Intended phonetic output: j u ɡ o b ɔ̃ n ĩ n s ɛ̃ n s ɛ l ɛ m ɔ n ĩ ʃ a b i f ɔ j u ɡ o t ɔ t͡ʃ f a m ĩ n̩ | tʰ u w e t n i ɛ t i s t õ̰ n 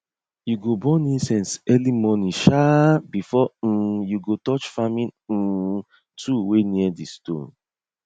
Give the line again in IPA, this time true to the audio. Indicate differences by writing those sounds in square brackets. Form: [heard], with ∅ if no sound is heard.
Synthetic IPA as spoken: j u ɡ o b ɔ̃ n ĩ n s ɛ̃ n s ɛ l [i] m ɔ n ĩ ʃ a b i f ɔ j u ɡ o t ɔ t͡ʃ f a m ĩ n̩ | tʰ u w e [∅] n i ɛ [d] i s t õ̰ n